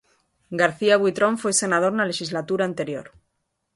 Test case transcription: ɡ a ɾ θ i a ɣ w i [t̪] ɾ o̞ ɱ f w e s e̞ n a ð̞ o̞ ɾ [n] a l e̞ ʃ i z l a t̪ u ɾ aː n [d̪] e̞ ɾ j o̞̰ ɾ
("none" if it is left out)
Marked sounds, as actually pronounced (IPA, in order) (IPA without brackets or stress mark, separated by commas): t̪, n, t̪